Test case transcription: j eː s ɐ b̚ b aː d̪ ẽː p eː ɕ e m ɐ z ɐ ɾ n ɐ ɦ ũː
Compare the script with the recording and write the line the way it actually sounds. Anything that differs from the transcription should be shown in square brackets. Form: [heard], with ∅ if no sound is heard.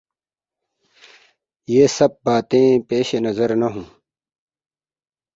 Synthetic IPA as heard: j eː s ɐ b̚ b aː [t̪] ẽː p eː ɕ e [n] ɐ z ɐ ɾ n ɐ ɦ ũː